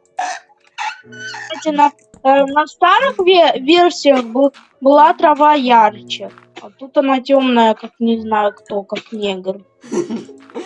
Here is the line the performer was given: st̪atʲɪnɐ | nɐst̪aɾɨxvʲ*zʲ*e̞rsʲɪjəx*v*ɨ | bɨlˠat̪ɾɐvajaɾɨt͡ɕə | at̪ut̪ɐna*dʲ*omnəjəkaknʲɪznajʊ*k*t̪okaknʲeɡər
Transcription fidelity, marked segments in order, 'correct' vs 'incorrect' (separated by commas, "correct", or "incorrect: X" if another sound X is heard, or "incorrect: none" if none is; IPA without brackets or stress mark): incorrect: vʲ, incorrect: b, incorrect: tʲ, correct